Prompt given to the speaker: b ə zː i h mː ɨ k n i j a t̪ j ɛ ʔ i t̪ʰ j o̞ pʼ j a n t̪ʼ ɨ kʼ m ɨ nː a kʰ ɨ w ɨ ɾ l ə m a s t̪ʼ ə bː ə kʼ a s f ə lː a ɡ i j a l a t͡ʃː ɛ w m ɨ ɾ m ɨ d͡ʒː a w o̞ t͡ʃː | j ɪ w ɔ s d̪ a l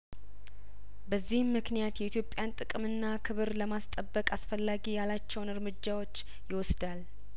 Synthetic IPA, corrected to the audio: b ə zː i h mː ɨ k n i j a t̪ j ɛ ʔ i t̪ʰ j o̞ pʼ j a n t̪ʼ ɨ kʼ m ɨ nː a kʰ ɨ β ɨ ɾ l ə m a s t̪ʼ ə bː ə kʼ a s f ə lː a ɡ i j a l a t͡ʃː ɛ w n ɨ ɾ m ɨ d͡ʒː a w o̞ t͡ʃː | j ɪ w ɔ s d̪ a l